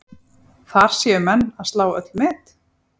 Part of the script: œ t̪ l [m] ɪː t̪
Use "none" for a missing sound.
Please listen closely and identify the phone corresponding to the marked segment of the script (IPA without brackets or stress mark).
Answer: m